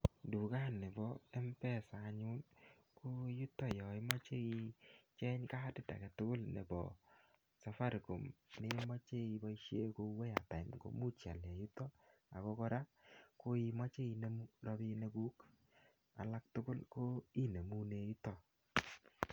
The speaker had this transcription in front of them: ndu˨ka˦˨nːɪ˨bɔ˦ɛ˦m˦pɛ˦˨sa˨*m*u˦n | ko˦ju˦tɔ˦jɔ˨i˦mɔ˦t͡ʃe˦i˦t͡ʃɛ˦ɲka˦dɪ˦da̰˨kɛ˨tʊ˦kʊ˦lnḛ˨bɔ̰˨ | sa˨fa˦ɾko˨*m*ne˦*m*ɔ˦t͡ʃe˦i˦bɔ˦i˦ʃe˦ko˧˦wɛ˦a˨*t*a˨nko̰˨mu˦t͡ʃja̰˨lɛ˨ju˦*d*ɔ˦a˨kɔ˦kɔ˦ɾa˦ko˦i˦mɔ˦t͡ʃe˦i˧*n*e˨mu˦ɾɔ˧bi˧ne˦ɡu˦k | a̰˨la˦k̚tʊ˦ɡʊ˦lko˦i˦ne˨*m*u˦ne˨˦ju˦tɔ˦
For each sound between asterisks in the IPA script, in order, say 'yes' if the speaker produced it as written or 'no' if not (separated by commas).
no, yes, yes, yes, no, yes, yes